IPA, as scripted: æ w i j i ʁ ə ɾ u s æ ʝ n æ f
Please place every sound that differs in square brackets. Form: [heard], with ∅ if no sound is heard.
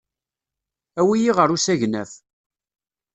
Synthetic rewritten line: æ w i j i ʁ ə ɾ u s æ ʝ n æ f